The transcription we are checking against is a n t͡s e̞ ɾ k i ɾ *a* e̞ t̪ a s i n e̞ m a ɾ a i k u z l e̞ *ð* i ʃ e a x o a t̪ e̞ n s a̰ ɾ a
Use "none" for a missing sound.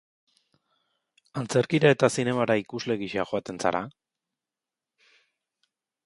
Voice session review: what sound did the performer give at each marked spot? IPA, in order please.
a, ɣ

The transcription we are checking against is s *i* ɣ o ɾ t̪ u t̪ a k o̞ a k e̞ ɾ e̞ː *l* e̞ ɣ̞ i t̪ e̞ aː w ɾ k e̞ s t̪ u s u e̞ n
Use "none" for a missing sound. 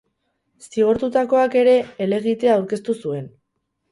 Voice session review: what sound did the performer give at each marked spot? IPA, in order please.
i, l

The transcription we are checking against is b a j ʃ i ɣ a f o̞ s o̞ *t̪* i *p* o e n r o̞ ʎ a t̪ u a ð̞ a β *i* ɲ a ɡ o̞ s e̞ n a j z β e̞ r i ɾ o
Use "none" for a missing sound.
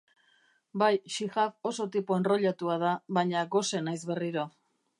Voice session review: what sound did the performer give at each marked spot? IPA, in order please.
t̪, p, a

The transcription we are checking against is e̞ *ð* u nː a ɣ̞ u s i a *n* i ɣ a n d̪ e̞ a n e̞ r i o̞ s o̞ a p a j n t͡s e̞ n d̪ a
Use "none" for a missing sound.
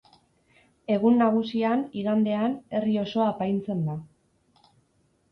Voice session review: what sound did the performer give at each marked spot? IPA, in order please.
ɣ, n

